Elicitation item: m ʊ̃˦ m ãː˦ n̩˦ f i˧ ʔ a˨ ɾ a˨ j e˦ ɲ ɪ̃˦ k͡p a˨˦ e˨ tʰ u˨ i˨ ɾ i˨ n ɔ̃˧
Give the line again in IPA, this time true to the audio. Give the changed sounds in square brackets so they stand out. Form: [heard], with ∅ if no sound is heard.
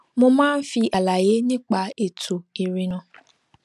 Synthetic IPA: m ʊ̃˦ m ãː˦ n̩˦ f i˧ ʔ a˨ [l] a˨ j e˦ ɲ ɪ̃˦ k͡p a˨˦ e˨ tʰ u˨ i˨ ɾ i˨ n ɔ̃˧